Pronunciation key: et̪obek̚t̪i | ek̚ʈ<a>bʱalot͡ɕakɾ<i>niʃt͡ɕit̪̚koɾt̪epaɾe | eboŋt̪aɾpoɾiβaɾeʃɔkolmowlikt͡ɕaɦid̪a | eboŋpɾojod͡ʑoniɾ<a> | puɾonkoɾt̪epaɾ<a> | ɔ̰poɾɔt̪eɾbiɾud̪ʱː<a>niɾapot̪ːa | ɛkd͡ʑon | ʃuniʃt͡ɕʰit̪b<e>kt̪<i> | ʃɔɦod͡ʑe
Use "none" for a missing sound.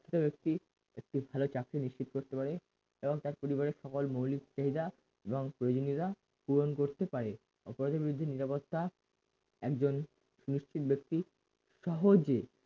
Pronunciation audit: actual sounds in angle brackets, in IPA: i, i, a, e, e, e, i

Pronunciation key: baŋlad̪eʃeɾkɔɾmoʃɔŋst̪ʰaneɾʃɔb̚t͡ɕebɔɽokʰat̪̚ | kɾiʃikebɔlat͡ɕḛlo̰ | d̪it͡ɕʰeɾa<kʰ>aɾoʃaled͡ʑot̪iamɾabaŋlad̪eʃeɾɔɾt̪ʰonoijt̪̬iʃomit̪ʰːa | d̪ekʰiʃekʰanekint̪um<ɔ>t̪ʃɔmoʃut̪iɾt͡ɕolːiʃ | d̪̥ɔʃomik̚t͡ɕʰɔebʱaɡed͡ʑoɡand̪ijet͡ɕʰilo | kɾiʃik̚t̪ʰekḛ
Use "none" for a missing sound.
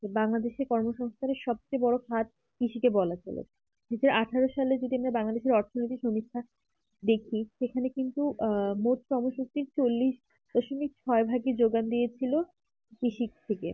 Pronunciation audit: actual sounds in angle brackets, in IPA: ʈʰ, o

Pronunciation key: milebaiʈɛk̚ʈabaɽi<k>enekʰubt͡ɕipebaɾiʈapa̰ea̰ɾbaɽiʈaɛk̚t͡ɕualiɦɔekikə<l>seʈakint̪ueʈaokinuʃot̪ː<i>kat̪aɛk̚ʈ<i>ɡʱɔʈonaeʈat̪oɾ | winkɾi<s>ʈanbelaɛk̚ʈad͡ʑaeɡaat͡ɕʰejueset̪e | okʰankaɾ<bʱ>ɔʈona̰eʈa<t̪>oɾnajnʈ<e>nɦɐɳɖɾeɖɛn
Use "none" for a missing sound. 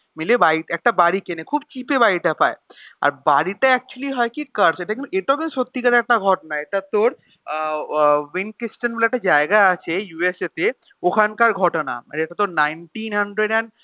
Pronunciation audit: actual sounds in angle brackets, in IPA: k, ɾ, i, a, s, ɡʱ, t̪, i

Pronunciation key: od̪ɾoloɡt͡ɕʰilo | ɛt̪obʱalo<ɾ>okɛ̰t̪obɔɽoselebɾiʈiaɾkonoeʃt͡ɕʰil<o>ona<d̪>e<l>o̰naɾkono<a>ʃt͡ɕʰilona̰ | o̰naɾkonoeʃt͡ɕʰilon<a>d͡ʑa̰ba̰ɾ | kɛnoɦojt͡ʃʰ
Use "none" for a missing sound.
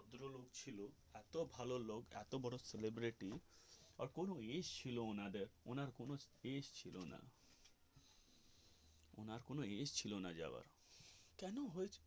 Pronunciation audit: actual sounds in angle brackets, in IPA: l, o, d̪, ɾ, e, a

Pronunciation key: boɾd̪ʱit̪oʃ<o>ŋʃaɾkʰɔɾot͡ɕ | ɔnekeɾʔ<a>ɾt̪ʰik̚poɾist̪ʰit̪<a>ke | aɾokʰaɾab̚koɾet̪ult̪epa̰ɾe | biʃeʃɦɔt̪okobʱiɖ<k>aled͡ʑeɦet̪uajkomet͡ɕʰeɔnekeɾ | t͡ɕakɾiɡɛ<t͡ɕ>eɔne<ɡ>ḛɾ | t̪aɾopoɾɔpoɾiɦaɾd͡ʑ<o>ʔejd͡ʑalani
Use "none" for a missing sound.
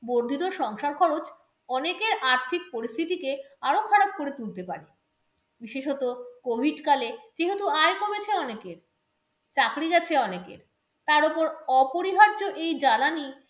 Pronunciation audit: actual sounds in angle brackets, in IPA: ɔ, a, i, k, t͡ɕʰ, k, o

